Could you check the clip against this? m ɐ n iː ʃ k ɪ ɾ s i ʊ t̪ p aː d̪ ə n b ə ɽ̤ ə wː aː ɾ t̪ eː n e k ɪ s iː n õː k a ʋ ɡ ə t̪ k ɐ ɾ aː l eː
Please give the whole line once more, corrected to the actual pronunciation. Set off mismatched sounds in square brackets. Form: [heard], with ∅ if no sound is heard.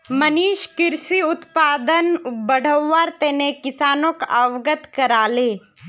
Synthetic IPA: m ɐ n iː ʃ k ɪ ɾ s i ʊ t̪ p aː d̪ ə n b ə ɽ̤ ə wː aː ɾ t̪ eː n e k ɪ s [aː] n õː k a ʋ ɡ ə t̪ k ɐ ɾ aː l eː